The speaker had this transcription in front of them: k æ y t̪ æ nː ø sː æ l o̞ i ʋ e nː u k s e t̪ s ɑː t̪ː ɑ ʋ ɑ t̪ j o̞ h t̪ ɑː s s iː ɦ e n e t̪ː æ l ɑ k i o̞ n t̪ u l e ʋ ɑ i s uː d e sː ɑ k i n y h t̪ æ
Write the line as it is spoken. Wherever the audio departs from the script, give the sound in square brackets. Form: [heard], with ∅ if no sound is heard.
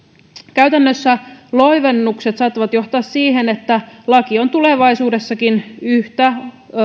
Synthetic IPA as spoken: k æ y t̪ æ nː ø sː æ l o̞ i ʋ e nː u k s e t̪ s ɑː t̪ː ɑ ʋ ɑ t̪ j o̞ h t̪ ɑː s s iː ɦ e n e t̪ː æ l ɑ k i o̞ n t̪ u l e ʋ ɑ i s uː d e sː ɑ k i n y h t̪ æ

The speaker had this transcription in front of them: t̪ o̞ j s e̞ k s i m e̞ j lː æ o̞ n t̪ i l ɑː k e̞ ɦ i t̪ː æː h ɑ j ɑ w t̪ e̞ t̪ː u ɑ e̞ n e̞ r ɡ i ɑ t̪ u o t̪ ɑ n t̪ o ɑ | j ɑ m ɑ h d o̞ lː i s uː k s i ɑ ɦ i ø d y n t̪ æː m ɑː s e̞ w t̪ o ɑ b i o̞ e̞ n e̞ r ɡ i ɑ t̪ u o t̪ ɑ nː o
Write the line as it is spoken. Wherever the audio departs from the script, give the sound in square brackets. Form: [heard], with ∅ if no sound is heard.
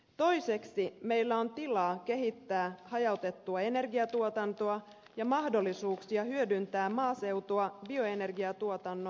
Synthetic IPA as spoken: t̪ o̞ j s e̞ k s i m e̞ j lː æ o̞ n t̪ i l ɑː k e̞ ɦ i t̪ː æː h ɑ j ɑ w t̪ e̞ t̪ː u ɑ e̞ n e̞ r ɡ i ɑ t̪ u o t̪ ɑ n t̪ o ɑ | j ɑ m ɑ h d o̞ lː i s uː k s i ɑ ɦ [y] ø d y n t̪ æː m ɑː s e̞ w t̪ o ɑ b i o̞ e̞ n e̞ r ɡ i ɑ t̪ u o t̪ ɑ nː o

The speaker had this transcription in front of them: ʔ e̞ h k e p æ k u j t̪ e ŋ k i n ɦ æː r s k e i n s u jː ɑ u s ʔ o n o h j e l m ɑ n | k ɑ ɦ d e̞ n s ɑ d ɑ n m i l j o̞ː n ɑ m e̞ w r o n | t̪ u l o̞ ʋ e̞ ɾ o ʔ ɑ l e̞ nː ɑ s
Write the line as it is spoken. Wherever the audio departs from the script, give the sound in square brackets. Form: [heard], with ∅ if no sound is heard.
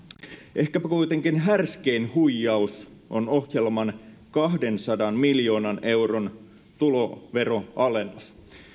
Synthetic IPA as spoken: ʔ e̞ h k [æ] p æ k u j t̪ e ŋ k i n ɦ [æ] r s k e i n [h] u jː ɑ u s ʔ o n o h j e l m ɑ n | k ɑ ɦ d e̞ n s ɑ d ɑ n m i l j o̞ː n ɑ [n] e̞ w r o n | t̪ u l o̞ ʋ e̞ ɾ o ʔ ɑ l e̞ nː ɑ s

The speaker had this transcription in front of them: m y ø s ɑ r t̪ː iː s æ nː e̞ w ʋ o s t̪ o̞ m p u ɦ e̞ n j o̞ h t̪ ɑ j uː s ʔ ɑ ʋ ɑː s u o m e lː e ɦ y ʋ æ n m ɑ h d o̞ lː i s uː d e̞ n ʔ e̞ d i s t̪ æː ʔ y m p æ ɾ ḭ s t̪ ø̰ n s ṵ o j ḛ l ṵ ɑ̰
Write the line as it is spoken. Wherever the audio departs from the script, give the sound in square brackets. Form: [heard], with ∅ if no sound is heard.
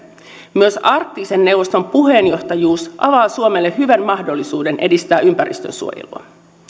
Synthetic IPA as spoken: m y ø s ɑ r t̪ː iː s [e] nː e̞ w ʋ o s t̪ o̞ m p u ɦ e̞ n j o̞ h t̪ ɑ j uː s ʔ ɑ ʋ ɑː s u o m e lː e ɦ y ʋ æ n m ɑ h d o̞ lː i s uː d e̞ n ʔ e̞ d i s t̪ æː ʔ y m p æ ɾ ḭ s t̪ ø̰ n s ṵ o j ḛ l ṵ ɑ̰

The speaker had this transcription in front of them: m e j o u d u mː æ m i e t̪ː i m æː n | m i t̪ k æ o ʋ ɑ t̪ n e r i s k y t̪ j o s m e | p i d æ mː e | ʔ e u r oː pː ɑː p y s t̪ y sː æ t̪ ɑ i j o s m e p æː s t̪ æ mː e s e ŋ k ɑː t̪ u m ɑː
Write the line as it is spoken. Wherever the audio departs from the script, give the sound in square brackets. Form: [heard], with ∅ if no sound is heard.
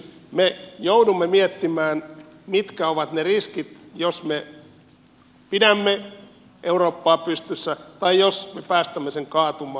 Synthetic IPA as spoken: m e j o u d u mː [e] m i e t̪ː i m æː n | m i t̪ k æ o ʋ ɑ t̪ n e r i s k [i] t̪ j o s m e | p i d æ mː e | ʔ e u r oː pː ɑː p y s t̪ y sː æ t̪ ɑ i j o s m e p æː s t̪ æ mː e s e ŋ k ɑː t̪ u m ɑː

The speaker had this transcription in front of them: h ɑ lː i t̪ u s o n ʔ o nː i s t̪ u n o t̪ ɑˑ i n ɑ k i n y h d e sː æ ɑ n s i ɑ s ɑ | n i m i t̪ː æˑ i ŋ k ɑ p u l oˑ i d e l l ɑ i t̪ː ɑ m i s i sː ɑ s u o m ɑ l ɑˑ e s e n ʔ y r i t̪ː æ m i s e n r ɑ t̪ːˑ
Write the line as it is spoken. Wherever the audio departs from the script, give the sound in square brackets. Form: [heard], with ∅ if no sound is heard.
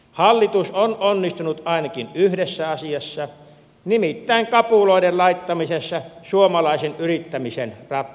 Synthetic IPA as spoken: h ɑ lː i t̪ u s o n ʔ o nː i s t̪ u n [u] t̪ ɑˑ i n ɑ k i n y h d e sː æ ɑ [∅] s i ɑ [sː] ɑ | n i m i t̪ː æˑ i ŋ k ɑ p u l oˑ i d e l l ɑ i t̪ː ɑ m i s [e] sː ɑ s u o m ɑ l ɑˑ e s e n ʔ y r i t̪ː æ m i s e n r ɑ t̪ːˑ

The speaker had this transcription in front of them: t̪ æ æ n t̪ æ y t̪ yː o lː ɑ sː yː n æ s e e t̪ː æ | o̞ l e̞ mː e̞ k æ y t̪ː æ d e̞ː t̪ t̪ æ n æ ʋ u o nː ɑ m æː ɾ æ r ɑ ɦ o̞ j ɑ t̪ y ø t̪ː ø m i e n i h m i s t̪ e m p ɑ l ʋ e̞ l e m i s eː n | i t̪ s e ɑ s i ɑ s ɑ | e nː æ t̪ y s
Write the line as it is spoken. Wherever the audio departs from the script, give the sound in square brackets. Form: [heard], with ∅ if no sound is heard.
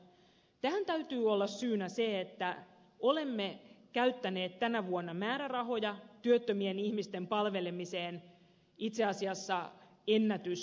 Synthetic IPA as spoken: t̪ æ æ n t̪ æ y t̪ yː o lː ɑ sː yː n æ s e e t̪ː æ | o̞ l e̞ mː e̞ k æ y t̪ː æ [n] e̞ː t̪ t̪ æ n æ ʋ u o nː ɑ m æː ɾ æ r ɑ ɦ o̞ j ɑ t̪ y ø t̪ː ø m i e n i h m i s t̪ e m p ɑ l ʋ e̞ l e m i s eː n | i t̪ s e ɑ s i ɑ [sː] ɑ | e nː æ t̪ y s

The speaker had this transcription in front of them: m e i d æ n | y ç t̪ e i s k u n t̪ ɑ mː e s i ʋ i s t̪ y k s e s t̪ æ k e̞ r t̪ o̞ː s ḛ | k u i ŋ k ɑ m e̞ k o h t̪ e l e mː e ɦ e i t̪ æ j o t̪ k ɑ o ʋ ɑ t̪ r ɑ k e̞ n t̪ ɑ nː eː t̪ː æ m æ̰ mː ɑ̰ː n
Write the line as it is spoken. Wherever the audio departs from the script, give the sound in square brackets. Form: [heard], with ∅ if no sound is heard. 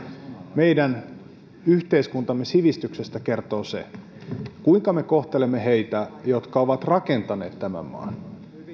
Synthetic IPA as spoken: m e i d æ n | y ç t̪ e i s k u n t̪ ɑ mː e s i ʋ i s t̪ y k s e s t̪ æ k e̞ r t̪ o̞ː s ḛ | k u i ŋ k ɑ m e̞ k o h t̪ e l e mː e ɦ e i t̪ æ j o t̪ k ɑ o ʋ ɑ t̪ r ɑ k e̞ n t̪ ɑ [n] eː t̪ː æ m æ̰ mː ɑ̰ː n

